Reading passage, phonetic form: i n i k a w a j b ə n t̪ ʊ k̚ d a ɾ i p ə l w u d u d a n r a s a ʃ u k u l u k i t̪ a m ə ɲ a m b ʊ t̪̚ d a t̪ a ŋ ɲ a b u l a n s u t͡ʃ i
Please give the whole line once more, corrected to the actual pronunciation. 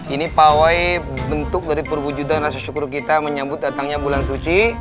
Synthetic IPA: i n i p a w a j b ə n t̪ ʊ k̚ d a ɾ i p ə r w u d͡ʒ u d a n r a s a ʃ u k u ɾ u k i t̪ a m ə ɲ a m b ʊ t̪̚ d a t̪ a ŋ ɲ a b u l a n s u t͡ʃ i